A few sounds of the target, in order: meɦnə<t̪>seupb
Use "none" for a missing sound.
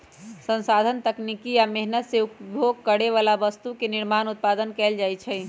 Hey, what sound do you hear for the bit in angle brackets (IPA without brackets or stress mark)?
t̪